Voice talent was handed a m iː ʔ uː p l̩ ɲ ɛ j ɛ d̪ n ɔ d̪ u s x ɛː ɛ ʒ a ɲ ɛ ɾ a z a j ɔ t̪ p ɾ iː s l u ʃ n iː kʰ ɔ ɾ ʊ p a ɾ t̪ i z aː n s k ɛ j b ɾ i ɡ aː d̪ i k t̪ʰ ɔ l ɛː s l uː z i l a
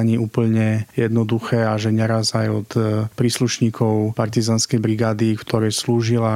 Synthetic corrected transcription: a ɲ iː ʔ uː p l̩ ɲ ɛ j ɛ d̪ n ɔ d̪ u x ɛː a ʒ ɛ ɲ ɛ ɾ a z a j ɔ t̪ p ɾ iː s l u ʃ ɲ iː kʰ ɔ ʊ p a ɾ t̪ i z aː n s k ɛ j b ɾ i ɡ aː d̪ i k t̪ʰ ɔ ɾ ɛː s l uː ʒ i l a